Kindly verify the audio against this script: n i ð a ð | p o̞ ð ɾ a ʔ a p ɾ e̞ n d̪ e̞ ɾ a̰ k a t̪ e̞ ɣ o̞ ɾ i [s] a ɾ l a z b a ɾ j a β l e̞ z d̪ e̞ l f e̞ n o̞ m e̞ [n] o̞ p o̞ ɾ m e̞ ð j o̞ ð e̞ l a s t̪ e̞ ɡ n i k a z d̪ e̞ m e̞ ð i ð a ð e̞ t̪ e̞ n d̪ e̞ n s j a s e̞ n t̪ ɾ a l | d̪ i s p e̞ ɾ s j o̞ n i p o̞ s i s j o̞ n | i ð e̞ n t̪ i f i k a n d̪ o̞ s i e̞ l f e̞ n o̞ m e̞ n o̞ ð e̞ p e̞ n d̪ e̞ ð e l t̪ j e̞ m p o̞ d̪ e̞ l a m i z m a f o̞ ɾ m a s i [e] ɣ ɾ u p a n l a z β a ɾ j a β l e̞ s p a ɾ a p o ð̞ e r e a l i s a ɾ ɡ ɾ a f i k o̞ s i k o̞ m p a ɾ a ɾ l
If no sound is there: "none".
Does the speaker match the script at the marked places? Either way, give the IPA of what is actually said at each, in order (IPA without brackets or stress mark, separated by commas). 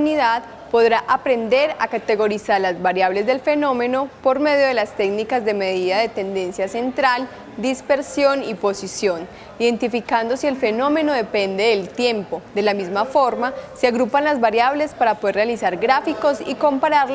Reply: s, n, a